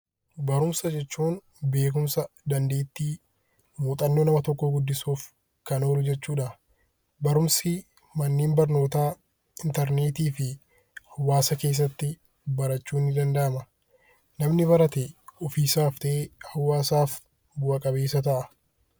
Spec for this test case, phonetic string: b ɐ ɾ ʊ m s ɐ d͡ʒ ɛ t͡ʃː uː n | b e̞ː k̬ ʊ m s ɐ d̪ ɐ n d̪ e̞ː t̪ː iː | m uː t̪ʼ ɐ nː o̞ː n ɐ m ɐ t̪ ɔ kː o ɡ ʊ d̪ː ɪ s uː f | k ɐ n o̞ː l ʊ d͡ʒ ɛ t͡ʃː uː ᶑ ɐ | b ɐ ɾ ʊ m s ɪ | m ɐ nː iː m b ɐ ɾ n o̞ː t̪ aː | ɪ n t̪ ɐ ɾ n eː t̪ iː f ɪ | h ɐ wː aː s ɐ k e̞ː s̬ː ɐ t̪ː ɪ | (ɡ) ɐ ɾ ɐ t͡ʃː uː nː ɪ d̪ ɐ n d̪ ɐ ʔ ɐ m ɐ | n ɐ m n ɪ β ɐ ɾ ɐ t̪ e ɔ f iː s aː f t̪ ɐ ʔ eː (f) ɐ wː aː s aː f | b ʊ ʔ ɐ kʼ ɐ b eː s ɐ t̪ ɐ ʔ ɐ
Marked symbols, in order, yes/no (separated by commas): no, no